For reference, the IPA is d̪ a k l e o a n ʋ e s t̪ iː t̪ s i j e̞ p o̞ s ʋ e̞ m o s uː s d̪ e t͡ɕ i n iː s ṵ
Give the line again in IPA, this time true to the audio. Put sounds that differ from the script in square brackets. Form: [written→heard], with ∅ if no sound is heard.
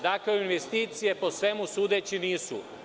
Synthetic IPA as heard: d̪ a k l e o [a→i] n ʋ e s t̪ iː t̪ s i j e̞ p o̞ s ʋ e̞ m [o→u] s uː [s→∅] d̪ e t͡ɕ i n iː s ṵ